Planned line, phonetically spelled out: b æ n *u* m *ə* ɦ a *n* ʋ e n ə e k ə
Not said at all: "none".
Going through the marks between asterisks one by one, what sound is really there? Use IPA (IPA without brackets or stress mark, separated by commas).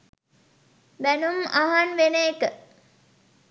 u, a, n